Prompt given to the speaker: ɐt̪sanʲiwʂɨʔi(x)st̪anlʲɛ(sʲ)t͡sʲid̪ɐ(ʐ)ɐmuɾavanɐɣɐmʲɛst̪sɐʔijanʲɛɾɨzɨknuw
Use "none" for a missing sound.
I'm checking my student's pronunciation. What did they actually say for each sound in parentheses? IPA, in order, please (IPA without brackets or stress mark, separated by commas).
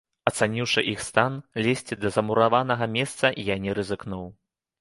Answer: x, sʲ, z